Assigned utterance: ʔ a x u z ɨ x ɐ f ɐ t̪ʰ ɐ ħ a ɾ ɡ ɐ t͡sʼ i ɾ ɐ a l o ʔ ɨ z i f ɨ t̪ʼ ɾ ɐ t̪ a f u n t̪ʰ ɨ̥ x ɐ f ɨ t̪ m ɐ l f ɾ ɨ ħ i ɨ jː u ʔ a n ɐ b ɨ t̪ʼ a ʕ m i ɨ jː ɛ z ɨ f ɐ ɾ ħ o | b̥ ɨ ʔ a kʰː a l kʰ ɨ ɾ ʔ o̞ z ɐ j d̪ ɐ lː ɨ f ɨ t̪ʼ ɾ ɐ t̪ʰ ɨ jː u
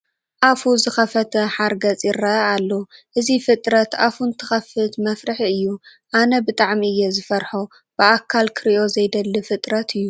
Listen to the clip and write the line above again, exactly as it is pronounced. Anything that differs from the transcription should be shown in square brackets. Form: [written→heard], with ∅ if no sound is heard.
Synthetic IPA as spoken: ʔ a [x→f] u z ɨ x ɐ f ɐ t̪ʰ ɐ ħ a ɾ ɡ ɐ t͡sʼ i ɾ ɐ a [l→lː] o ʔ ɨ z i f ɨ t̪ʼ ɾ ɐ t̪ a f u n t̪ʰ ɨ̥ x ɐ f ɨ t̪ m ɐ [l→∅] f ɾ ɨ ħ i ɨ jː u ʔ a n ɐ b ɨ t̪ʼ a ʕ m i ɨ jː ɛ z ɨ f ɐ ɾ ħ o | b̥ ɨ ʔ a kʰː a l kʰ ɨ ɾ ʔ o̞ z ɐ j d̪ ɐ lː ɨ f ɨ t̪ʼ ɾ ɐ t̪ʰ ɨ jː u